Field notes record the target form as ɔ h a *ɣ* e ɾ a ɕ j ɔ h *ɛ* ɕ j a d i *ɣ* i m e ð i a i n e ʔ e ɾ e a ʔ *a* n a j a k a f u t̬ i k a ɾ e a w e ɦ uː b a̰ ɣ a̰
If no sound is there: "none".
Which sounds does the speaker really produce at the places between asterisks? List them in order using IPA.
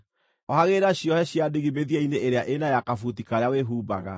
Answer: ɣ, ɛ, ɣ, e

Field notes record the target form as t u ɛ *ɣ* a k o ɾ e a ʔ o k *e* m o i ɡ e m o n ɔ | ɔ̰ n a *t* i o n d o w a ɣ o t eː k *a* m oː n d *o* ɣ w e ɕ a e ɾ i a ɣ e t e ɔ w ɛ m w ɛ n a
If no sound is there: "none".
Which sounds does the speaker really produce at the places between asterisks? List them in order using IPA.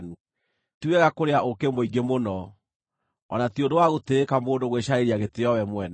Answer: ɣ, e, t, a, o

